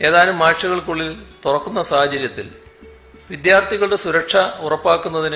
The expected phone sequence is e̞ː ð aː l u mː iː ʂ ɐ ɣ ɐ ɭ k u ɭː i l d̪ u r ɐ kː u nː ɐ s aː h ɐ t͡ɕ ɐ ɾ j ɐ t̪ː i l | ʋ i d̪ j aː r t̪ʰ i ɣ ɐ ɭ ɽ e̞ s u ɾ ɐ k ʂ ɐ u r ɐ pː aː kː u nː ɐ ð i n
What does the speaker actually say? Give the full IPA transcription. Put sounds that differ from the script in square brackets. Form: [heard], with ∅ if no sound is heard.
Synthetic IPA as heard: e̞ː ð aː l u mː [aː] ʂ ɐ ɣ ɐ ɭ k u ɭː i l [t̪] u r ɐ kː u nː ɐ s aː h ɐ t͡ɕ ɐ ɾ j ɐ t̪ː i l | ʋ i d̪ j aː r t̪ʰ i ɣ ɐ ɭ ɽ e̞ s u ɾ ɐ k ʂ ɐ u r ɐ pː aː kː u nː ɐ ð i n